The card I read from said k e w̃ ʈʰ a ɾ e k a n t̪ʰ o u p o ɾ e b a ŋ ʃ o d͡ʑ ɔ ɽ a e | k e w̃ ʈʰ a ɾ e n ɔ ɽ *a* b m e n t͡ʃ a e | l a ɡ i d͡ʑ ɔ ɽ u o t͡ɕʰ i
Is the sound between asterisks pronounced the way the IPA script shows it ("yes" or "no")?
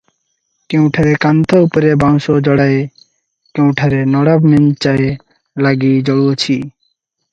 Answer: yes